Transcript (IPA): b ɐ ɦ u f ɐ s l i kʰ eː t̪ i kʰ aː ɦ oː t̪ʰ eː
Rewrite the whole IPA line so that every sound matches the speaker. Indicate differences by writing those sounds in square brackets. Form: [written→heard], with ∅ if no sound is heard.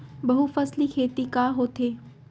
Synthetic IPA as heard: b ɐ ɦ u f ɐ s l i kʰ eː t̪ i [kʰ→k] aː ɦ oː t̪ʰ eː

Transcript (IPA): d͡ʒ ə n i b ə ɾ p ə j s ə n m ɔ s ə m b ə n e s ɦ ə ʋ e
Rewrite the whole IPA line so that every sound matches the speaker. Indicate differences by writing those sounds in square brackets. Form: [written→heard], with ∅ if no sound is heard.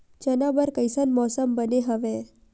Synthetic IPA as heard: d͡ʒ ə n [i→a] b ə ɾ [p→k] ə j s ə n m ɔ s ə m b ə n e [s→∅] ɦ ə ʋ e

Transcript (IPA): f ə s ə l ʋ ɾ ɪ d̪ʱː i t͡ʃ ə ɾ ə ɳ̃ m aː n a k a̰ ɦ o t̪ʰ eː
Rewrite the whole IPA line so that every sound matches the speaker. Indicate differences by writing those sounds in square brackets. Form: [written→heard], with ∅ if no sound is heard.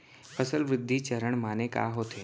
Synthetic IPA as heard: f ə s ə l ʋ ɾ ɪ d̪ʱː i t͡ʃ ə ɾ ə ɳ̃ m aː n [a→e] k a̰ ɦ o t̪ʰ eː

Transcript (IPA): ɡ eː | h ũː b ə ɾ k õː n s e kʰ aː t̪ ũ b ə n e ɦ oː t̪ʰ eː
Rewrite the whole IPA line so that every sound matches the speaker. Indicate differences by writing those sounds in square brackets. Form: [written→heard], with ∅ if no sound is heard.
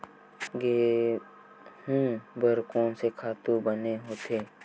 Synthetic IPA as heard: ɡ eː | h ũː b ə ɾ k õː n s e kʰ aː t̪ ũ b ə n e ɦ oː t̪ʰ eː

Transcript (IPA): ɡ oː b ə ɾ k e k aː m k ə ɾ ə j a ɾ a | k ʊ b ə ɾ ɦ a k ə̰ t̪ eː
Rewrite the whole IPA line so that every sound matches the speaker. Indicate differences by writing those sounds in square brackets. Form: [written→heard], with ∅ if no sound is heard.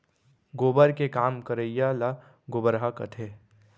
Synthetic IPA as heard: ɡ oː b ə ɾ k e k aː m k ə ɾ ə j a [ɾ→l] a | [k→ɡ] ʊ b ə ɾ ɦ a k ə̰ [t̪→t̪ʰ] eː

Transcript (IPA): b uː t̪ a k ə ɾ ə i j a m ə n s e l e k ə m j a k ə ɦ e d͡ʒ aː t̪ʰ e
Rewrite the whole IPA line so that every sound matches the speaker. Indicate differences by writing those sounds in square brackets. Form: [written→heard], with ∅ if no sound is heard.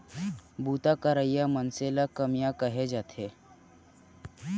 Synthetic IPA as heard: b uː t̪ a k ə ɾ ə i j a m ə n s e l [e→a] k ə m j a k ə ɦ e d͡ʒ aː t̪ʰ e

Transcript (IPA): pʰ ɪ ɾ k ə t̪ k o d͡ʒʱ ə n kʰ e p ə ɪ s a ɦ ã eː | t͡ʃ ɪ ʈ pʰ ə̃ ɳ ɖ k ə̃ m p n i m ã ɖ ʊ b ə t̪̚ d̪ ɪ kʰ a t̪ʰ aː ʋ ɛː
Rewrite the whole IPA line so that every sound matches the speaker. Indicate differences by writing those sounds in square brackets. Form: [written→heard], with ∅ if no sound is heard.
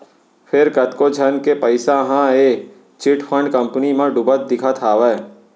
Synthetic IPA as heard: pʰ ɪ ɾ k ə t̪ k o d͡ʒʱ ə n [kʰ→k] e p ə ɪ s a ɦ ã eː | t͡ʃ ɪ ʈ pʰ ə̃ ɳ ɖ k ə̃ m p n i m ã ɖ ʊ b ə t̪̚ d̪ ɪ kʰ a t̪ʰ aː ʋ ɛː

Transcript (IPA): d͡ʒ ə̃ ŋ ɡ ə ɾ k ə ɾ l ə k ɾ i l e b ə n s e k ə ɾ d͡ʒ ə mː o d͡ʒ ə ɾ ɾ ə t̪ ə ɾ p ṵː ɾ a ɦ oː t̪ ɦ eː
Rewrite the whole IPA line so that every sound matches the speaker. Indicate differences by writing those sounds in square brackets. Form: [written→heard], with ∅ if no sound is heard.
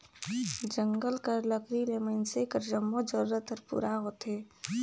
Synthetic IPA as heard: d͡ʒ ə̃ ŋ ɡ ə [ɾ→l] k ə ɾ l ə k ɾ i l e [b→m] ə n s e k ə ɾ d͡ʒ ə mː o d͡ʒ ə ɾ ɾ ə t̪ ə ɾ p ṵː ɾ a ɦ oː t̪ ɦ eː

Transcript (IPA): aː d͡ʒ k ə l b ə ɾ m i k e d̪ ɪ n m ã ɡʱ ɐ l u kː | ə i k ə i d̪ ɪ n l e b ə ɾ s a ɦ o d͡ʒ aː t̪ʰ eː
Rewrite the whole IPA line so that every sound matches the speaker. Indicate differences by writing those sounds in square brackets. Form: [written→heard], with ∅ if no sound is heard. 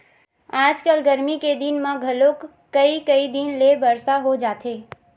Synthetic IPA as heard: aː d͡ʒ k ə l [b→ɡ] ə ɾ m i k e d̪ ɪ n m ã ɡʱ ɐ l [u→o] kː | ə i k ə i d̪ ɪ n l e b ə ɾ s a ɦ o d͡ʒ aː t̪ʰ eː

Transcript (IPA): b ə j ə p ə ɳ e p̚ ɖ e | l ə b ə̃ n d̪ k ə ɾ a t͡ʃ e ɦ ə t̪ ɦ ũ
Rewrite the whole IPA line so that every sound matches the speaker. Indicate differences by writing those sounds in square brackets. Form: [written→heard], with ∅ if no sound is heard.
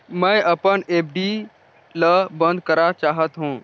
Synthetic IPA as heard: [b→m] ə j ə p ə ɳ e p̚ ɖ [e→i] | l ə b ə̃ n d̪ k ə ɾ a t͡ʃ [e→a] ɦ ə t̪ ɦ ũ

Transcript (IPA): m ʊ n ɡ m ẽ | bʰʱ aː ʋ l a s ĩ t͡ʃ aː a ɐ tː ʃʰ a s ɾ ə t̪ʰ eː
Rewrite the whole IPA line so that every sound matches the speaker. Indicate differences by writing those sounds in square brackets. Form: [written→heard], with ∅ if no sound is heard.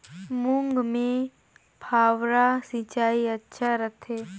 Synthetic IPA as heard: m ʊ [n→ŋ] ɡ m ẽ | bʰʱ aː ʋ [l→ɾ] a s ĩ t͡ʃ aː [a→i] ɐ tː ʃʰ a [s→∅] ɾ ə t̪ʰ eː

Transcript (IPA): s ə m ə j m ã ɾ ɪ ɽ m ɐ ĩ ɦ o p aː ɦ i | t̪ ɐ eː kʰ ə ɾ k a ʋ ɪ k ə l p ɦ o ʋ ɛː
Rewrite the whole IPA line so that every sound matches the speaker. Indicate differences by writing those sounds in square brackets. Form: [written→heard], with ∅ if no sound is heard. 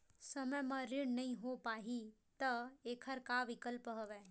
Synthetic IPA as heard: s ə m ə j m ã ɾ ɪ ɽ [m→n] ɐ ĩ ɦ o p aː ɦ i | t̪ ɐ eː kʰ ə ɾ k a ʋ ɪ k ə l p ɦ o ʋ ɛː

